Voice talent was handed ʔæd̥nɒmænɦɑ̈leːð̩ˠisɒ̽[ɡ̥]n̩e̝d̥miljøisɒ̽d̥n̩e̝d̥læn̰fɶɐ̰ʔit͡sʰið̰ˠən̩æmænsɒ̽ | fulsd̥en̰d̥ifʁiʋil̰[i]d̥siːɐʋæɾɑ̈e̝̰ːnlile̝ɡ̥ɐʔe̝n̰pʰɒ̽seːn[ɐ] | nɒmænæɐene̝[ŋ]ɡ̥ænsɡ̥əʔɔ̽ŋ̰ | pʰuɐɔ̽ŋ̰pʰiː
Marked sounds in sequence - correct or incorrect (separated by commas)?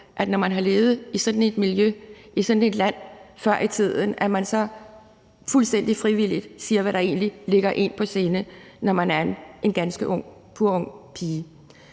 incorrect, correct, incorrect, incorrect